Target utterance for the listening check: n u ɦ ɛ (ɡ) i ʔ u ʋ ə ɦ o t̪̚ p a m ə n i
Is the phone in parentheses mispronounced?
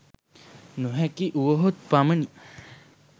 yes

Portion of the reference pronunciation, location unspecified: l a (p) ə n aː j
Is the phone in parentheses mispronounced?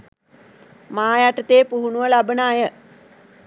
yes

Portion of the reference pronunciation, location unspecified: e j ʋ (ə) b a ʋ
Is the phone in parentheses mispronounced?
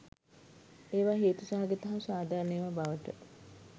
yes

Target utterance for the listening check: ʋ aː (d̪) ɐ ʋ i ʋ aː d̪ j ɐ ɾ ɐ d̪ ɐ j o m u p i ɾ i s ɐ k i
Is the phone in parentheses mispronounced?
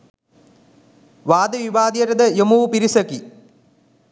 no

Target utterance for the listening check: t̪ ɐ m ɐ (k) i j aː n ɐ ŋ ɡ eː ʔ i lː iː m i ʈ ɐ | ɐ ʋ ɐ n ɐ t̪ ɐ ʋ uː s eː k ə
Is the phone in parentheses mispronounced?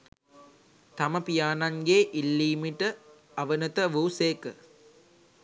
yes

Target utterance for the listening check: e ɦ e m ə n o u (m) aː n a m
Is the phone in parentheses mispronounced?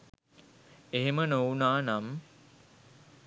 yes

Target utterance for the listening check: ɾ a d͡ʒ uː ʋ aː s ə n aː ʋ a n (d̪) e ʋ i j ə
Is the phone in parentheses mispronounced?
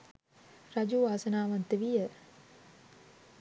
yes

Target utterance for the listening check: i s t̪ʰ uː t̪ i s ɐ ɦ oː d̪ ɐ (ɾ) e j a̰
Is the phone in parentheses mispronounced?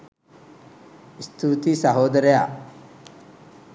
no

